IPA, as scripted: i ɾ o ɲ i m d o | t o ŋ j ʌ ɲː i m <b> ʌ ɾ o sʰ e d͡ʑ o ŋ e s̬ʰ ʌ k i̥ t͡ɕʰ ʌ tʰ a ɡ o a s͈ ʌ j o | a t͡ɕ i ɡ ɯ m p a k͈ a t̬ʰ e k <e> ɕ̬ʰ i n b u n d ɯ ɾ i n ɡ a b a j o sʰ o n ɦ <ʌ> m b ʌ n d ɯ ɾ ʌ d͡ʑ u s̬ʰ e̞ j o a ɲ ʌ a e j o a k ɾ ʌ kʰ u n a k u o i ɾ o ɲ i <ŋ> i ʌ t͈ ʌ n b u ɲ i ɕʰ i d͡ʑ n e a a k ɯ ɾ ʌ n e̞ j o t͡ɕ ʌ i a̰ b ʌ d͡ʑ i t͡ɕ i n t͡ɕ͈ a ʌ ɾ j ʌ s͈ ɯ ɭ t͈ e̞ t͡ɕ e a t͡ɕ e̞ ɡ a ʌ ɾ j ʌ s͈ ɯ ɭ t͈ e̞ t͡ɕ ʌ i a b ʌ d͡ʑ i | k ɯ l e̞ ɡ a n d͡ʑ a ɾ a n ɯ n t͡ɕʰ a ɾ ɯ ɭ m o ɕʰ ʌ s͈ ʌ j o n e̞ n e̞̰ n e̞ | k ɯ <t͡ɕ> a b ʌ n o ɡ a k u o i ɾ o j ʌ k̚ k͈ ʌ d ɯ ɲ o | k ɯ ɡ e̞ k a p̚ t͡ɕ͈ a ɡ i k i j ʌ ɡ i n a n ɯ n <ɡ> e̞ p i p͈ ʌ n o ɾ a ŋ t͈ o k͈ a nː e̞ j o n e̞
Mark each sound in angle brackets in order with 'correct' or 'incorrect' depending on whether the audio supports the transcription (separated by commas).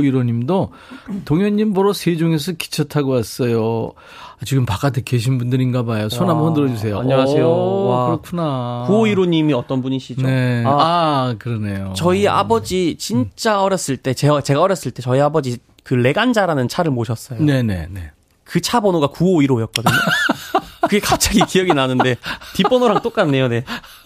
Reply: correct, correct, incorrect, incorrect, incorrect, incorrect